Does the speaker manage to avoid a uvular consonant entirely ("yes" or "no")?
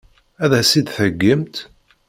yes